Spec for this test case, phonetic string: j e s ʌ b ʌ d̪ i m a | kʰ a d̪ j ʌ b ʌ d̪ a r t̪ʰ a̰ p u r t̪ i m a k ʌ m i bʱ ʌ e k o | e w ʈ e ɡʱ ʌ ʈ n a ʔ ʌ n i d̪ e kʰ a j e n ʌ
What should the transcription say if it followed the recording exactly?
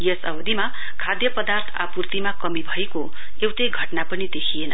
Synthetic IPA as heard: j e s ʌ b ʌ d̪ i m a | kʰ a d̪ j ʌ p ʌ d̪ a r t̪ʰ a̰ p u r t̪ i m a k ʌ m i bʱ ʌ e k o | e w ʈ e ɡʱ ʌ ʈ n a p ʌ n i d̪ e kʰ i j e n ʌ